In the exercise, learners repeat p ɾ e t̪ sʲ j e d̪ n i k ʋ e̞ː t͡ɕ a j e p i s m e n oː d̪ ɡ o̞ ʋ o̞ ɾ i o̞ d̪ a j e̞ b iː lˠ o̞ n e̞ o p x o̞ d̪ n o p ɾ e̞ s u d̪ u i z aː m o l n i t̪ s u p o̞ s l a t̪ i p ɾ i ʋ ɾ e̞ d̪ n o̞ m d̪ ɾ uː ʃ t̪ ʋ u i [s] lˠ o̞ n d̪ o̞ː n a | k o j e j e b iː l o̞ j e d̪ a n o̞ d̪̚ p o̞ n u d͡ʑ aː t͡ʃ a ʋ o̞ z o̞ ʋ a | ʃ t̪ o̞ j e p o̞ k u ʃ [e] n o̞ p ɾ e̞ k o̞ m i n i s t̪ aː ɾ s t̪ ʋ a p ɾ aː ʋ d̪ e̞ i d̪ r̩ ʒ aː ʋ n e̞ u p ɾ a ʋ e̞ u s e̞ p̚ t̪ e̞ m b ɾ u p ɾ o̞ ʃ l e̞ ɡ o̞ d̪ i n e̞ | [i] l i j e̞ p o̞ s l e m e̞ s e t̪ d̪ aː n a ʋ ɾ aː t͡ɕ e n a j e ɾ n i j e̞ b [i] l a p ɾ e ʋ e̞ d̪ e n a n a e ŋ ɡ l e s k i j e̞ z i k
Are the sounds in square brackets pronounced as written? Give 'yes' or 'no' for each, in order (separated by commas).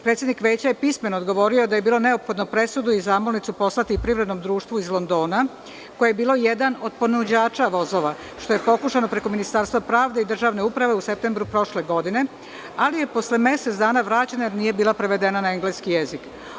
no, no, no, no